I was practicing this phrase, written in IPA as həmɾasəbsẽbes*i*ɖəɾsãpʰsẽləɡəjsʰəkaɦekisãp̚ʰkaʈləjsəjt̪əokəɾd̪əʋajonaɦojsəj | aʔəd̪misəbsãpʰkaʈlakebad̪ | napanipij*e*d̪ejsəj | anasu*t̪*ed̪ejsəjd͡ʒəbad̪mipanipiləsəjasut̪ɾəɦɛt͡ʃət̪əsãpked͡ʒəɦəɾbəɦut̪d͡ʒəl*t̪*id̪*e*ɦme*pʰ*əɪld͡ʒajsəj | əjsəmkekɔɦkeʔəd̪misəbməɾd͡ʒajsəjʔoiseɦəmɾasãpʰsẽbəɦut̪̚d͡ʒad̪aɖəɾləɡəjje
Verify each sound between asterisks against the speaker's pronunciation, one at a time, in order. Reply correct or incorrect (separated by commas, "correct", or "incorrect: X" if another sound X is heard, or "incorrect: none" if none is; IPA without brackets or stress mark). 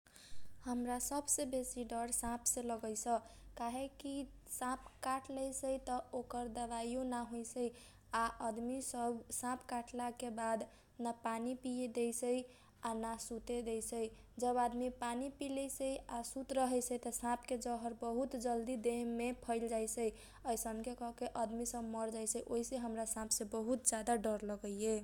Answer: correct, correct, correct, incorrect: d̪, correct, correct